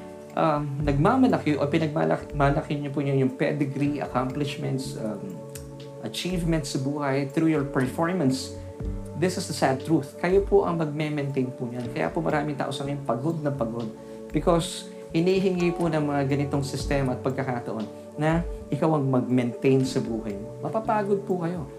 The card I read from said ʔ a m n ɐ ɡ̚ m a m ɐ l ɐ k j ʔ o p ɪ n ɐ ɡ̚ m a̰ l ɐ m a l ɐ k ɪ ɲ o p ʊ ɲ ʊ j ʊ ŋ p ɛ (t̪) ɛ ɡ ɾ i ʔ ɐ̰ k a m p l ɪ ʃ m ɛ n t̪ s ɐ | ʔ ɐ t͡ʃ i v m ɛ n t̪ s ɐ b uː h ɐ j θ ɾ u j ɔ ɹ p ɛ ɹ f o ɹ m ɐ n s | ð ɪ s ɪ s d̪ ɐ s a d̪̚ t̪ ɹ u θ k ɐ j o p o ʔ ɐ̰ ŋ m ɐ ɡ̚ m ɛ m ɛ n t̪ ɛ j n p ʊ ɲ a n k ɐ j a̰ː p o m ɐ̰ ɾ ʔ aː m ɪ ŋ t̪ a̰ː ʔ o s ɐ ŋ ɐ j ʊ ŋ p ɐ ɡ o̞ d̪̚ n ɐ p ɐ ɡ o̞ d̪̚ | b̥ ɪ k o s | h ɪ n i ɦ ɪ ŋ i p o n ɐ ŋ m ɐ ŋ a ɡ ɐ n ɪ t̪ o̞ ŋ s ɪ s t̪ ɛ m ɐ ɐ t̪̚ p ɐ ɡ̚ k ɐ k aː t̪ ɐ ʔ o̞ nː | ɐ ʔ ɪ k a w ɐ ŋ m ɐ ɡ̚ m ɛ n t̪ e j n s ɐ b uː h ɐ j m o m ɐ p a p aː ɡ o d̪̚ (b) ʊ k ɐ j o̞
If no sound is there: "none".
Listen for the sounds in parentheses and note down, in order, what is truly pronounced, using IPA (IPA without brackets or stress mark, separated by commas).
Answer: d̪, p